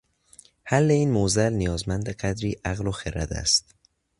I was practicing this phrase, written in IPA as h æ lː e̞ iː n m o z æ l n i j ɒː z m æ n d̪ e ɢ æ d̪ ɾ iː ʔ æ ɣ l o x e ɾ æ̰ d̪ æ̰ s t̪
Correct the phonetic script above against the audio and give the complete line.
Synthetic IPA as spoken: h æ lː e̞ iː n m o z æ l n i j ɒː z m æ n d̪ e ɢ æ d̪ ɾ iː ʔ æ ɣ l o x e ɾ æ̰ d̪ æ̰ s t̪